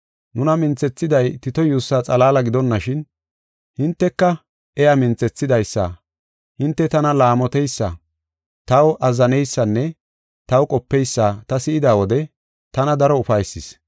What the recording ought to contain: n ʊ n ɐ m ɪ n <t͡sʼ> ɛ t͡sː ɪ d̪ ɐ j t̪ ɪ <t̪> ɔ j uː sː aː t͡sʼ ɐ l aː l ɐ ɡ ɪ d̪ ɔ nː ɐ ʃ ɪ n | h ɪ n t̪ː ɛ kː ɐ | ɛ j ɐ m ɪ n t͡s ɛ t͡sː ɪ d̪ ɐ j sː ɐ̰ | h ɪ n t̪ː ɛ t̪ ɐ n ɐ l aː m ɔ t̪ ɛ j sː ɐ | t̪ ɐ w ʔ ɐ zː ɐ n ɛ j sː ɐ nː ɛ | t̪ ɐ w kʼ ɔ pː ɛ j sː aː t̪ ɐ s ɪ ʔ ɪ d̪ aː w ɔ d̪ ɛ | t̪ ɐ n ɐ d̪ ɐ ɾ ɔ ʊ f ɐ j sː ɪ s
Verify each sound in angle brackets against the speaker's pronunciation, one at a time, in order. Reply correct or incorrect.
incorrect: t͡s, correct

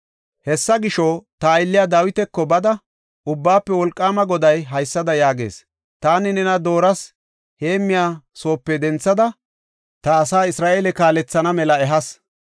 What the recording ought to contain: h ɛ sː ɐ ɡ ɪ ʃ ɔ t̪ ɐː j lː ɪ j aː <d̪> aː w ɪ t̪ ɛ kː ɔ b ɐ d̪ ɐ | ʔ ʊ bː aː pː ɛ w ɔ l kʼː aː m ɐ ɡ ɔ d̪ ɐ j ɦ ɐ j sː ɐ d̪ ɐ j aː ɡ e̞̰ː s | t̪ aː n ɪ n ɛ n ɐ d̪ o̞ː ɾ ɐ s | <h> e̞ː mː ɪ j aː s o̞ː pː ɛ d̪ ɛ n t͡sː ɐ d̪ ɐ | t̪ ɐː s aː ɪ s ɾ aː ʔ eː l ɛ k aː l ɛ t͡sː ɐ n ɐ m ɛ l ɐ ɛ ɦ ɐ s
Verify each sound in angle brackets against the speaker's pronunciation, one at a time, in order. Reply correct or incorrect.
correct, correct

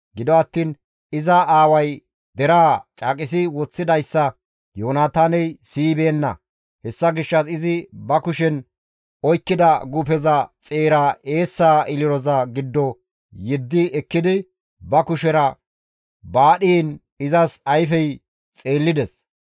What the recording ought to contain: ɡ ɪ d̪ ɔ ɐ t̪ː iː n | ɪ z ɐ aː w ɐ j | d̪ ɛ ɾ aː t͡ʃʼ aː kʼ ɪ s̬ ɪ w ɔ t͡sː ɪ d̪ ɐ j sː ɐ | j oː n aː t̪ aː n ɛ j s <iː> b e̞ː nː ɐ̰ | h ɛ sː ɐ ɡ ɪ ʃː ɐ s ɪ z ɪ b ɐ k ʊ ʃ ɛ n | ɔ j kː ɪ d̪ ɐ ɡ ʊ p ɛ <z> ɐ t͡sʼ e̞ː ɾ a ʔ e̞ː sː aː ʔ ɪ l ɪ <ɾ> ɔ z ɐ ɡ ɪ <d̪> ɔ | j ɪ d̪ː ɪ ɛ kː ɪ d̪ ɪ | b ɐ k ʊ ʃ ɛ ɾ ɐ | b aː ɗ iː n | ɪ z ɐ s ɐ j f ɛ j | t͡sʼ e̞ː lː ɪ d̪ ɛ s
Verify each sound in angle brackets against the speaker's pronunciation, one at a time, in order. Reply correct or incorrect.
correct, correct, correct, incorrect: d̪ː

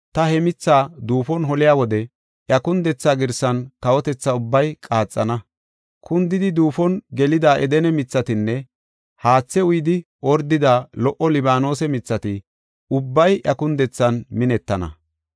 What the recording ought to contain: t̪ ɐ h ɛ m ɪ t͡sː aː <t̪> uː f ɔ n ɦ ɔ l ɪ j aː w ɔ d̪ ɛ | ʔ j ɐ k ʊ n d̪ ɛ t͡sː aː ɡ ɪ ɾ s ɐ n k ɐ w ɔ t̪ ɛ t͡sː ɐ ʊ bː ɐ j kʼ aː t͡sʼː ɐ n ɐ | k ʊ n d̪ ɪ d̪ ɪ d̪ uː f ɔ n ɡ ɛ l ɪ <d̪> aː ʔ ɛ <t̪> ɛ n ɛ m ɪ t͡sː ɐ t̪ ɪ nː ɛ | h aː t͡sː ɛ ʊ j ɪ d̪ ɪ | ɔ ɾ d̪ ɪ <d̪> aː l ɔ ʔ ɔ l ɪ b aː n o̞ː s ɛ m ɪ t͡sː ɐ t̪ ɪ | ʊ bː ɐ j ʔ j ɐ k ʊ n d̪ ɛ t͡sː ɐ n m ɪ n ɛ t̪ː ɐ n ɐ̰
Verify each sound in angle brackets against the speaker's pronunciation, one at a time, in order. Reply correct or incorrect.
incorrect: d̪, correct, incorrect: d̪, correct

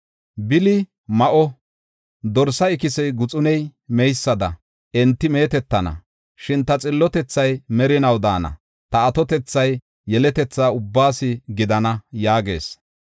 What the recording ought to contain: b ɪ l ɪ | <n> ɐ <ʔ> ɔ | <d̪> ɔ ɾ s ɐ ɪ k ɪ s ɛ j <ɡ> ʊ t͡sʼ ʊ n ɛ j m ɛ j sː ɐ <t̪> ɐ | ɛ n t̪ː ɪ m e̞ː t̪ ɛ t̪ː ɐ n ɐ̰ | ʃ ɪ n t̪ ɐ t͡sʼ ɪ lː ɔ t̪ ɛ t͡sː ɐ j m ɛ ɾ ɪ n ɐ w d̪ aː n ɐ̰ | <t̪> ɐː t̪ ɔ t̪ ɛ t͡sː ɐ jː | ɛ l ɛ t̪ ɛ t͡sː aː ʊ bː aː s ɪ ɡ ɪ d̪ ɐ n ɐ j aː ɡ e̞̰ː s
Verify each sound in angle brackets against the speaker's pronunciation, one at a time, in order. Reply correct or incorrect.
incorrect: m, correct, correct, correct, incorrect: d̪, correct

